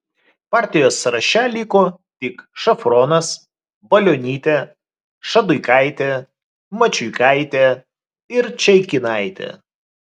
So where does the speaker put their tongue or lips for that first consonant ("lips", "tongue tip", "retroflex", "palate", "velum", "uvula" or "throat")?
lips